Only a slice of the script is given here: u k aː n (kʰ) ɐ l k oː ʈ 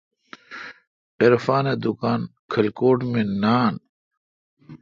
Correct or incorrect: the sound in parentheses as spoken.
correct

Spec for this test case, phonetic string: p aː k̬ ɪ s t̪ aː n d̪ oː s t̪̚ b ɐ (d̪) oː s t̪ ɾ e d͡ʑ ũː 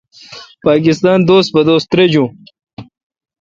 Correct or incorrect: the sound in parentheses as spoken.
correct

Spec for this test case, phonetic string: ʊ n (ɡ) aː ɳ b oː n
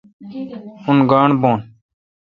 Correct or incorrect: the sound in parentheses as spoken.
correct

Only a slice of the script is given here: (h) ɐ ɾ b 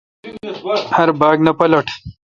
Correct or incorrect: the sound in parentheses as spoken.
correct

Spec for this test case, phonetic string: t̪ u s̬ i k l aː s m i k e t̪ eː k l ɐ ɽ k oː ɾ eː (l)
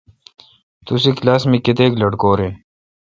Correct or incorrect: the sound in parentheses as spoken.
incorrect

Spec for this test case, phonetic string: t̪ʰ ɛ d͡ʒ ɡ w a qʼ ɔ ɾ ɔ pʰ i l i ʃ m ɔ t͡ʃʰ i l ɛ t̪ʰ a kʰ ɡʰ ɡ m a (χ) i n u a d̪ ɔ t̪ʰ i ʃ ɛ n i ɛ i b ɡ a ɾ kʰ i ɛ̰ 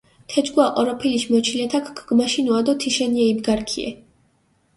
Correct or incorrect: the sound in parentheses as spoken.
incorrect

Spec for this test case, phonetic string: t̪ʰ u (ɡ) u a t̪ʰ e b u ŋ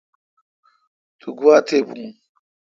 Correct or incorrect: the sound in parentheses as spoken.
correct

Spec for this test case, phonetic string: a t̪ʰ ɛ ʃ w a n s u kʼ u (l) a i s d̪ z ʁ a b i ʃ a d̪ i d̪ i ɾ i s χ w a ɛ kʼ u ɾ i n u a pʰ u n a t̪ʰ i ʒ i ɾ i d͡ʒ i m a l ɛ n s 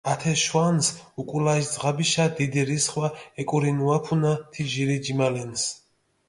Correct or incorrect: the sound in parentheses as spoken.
correct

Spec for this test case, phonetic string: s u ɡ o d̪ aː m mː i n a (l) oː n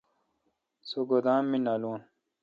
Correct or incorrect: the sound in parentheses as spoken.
correct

